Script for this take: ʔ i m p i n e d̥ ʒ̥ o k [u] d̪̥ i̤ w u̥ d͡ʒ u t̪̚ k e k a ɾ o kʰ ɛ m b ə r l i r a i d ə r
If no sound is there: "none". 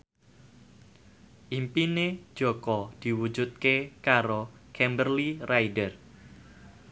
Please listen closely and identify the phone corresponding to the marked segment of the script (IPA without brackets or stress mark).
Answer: ɔ